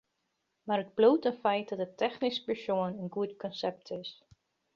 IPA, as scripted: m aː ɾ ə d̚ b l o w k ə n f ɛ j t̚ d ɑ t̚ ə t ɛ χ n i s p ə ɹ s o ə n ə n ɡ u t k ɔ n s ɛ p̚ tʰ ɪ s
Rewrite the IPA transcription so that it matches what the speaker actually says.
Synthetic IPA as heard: m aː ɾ ə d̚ b l o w t ə n f ɛ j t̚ d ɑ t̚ ə t ɛ χ n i s p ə ɹ s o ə n ə n ɡ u t k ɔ n s ɛ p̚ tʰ ɪ s